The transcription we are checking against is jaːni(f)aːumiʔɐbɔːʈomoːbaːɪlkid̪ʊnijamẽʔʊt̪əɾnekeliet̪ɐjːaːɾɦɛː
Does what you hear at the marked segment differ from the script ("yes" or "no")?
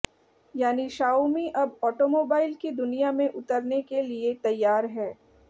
yes